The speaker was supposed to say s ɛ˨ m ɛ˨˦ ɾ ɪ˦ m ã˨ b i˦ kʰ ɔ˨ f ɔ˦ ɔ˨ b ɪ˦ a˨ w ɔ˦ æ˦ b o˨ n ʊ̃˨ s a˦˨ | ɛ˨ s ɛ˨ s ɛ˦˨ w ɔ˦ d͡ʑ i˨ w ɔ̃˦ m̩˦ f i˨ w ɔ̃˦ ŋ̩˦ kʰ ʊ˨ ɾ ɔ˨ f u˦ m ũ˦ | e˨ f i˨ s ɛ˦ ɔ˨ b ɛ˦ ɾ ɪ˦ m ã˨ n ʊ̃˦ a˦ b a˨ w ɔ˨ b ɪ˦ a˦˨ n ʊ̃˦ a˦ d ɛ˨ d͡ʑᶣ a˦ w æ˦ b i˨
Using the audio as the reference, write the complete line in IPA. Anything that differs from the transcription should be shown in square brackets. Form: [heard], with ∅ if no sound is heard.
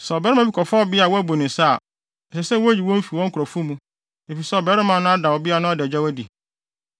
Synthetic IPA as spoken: s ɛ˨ [b] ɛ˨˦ ɾ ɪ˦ m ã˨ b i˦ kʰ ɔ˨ f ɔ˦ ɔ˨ b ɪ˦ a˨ w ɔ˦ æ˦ b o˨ n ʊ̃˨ s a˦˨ | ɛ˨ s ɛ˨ s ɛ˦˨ w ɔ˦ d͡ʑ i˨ w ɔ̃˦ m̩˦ f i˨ w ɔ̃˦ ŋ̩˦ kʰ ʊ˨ ɾ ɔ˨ f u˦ m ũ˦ | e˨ f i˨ s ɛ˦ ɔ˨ b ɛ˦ ɾ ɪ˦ m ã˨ n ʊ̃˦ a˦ [d] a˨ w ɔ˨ b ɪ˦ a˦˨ n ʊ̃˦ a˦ d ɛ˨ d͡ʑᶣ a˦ w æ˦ [d] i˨